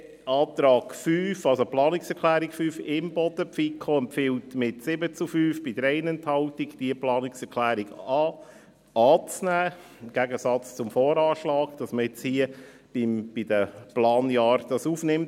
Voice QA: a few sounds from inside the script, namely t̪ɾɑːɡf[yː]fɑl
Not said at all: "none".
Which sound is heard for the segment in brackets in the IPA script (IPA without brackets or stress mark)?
yː